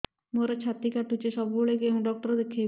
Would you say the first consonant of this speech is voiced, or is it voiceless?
voiced